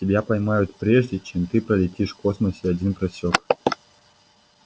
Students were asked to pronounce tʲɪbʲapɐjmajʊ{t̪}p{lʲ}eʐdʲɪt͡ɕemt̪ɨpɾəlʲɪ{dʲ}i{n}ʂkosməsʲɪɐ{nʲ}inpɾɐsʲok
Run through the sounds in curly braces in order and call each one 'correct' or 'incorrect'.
correct, incorrect: ɾʲ, incorrect: tʲ, incorrect: none, incorrect: dʲ

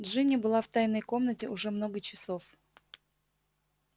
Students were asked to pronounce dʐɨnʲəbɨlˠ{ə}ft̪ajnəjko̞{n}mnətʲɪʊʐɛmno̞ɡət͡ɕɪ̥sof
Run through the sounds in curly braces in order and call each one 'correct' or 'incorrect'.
incorrect: a, incorrect: none

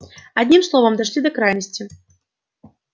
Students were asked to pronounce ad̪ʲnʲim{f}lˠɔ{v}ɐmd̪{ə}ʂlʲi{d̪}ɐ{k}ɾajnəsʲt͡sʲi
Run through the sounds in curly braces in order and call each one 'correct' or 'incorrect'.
incorrect: s, correct, incorrect: a, correct, correct

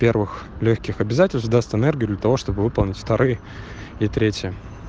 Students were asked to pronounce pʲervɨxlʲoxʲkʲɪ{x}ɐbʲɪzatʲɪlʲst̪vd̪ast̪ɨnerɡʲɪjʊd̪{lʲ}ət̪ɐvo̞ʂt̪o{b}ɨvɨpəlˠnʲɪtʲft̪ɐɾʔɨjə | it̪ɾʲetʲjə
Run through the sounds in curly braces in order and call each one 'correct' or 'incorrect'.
correct, correct, correct

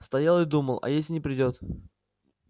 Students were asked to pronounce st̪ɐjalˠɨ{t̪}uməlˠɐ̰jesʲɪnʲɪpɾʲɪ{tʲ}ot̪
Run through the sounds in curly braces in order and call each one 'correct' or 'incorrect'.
incorrect: d̪, incorrect: dʲ

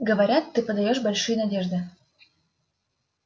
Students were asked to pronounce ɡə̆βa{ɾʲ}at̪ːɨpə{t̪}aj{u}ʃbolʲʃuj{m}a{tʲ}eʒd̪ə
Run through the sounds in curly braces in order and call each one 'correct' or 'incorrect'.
correct, incorrect: d̪, incorrect: o, incorrect: n, incorrect: dʲ

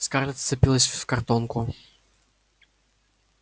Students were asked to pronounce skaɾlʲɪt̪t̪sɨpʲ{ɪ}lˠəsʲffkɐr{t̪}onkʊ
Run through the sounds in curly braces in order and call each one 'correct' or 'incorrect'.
incorrect: i, correct

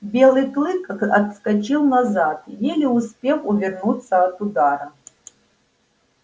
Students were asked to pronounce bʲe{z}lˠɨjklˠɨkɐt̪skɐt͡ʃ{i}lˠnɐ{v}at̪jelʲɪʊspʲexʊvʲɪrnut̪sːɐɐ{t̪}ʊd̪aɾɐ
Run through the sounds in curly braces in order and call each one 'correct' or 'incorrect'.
incorrect: none, correct, incorrect: z, correct

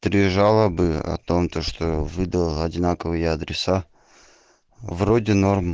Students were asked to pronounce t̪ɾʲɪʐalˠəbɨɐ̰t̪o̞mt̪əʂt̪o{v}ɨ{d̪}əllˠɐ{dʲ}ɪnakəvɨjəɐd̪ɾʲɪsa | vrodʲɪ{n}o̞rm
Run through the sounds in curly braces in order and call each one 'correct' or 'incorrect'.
correct, correct, correct, correct

